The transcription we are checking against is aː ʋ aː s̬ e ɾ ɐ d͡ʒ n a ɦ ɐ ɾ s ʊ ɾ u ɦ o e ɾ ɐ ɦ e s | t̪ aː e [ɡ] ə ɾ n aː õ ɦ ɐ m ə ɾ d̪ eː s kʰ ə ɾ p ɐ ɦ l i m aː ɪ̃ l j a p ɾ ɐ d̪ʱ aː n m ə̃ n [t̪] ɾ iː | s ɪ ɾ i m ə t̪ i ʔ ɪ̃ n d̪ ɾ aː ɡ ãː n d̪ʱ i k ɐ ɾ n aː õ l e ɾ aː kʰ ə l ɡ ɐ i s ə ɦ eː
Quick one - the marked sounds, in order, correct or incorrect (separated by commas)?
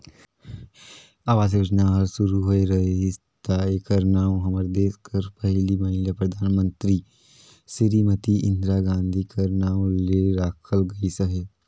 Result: incorrect, correct